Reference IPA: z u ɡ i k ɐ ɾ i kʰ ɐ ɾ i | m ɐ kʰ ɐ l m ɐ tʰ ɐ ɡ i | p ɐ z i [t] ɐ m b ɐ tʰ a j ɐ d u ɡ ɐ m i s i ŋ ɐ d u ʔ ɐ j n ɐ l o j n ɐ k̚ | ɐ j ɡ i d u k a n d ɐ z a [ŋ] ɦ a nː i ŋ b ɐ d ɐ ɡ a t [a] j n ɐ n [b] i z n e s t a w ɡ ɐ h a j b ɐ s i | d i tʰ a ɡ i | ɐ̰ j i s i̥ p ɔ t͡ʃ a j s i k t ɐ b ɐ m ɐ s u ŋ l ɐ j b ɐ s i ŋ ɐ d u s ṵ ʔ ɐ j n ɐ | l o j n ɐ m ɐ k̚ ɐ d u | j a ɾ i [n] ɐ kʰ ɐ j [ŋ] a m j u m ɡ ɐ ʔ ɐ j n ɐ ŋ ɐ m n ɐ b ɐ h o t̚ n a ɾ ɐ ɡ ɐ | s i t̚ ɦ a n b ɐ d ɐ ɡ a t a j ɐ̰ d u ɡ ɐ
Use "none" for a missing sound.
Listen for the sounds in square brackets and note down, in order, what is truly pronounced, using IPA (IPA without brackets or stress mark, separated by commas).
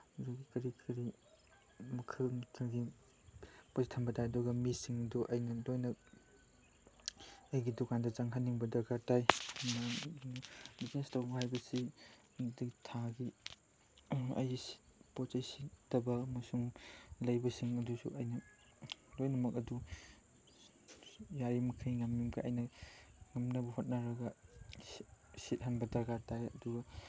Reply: tʰ, ŋ, a, b, m, ŋ